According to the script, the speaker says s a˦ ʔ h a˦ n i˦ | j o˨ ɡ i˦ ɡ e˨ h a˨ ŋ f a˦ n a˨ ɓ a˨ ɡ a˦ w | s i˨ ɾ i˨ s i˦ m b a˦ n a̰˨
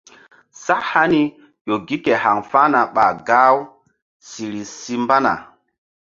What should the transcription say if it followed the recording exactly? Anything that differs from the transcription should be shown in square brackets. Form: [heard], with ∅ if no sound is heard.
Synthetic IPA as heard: s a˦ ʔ h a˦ n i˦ | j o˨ ɡ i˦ [k] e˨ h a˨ ŋ f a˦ n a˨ ɓ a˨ ɡ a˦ w | s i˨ ɾ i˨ s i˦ m b a˦ n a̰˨